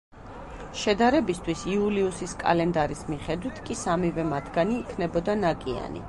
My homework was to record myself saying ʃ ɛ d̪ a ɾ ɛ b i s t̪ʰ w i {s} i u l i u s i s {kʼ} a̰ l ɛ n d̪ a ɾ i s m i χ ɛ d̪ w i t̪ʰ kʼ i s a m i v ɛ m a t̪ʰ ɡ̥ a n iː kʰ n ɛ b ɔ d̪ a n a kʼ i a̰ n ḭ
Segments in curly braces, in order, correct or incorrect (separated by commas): correct, correct